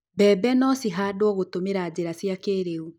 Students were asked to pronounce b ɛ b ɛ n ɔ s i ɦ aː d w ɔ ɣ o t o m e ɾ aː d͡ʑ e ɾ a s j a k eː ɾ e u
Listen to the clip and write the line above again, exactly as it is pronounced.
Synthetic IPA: b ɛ b ɛ n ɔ s i ɦ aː d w ɔ ɣ o t o m e ɾ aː d͡ʑ e ɾ a s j a k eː ɾ e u